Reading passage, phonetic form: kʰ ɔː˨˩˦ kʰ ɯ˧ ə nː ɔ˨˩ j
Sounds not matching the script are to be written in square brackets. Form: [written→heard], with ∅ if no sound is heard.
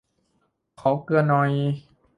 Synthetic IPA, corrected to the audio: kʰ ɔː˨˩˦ [kʰ→k] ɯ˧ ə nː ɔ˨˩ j

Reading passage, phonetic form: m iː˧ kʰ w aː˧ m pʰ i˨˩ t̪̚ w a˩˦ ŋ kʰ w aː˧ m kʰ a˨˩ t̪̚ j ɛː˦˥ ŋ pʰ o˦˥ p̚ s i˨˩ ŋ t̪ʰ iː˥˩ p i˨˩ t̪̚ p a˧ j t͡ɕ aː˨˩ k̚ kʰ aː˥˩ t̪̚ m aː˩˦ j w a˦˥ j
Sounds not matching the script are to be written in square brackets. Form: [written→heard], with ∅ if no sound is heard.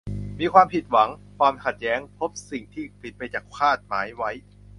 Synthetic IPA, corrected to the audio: m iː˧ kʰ w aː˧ m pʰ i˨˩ t̪̚ w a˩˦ ŋ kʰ w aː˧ m kʰ a˨˩ t̪̚ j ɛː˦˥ ŋ pʰ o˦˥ p̚ s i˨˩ ŋ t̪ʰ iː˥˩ p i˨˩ t̪̚ p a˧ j t͡ɕ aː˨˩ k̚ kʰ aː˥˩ t̪̚ m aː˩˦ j w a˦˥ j

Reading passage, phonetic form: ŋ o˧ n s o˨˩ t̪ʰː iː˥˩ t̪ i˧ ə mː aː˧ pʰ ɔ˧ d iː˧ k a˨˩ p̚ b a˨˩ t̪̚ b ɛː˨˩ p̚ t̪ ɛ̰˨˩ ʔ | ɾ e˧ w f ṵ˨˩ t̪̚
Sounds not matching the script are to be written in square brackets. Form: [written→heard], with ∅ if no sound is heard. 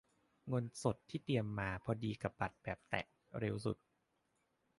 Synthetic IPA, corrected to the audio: ŋ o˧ n s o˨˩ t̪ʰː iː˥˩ t̪ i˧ ə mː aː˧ pʰ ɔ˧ d iː˧ k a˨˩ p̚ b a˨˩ t̪̚ b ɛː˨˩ p̚ t̪ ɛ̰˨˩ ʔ | ɾ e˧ w [f→s] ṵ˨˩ t̪̚

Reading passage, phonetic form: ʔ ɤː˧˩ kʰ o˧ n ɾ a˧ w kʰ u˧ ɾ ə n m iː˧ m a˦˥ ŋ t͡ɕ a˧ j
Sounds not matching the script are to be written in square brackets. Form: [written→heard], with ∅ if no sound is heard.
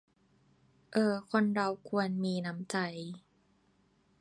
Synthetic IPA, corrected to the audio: ʔ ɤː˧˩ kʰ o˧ n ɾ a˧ w kʰ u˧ [ɾ→∅] ə n m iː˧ [m→n] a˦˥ [ŋ→m] t͡ɕ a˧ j

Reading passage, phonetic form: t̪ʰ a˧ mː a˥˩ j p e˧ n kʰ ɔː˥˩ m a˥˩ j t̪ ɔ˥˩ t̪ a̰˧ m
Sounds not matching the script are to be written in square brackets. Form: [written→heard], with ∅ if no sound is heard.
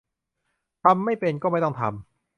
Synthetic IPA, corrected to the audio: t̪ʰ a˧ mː a˥˩ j p e˧ n [kʰ→k] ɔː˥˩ m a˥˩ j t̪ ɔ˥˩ [t̪→t̪ʰ] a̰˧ m

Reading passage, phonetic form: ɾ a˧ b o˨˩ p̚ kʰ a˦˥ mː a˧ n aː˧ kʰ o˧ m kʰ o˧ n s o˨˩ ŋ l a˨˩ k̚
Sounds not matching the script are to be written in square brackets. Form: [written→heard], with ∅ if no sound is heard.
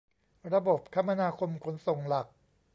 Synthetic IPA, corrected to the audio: ɾ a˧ b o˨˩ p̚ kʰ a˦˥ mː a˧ n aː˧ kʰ o˧ m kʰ [o˧→o˩˦] n s o˨˩ ŋ l a˨˩ k̚

